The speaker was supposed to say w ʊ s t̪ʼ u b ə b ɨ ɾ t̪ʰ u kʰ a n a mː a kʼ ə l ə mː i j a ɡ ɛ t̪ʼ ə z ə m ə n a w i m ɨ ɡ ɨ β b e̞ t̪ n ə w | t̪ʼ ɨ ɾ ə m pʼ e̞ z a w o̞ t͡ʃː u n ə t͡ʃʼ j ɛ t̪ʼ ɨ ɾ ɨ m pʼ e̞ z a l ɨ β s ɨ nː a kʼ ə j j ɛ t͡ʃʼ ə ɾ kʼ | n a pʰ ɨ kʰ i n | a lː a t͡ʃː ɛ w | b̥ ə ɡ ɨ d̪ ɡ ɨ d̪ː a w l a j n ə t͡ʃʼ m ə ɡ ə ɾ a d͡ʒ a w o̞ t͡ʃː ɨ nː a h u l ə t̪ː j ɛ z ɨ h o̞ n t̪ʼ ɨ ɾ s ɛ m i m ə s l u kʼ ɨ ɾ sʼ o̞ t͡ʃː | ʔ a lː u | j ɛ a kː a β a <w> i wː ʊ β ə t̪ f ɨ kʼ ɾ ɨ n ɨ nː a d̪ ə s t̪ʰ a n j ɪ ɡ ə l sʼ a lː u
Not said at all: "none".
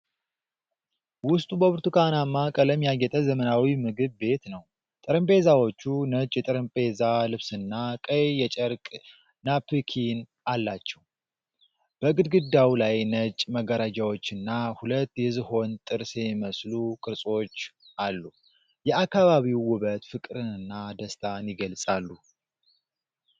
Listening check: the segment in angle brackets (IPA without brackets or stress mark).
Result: β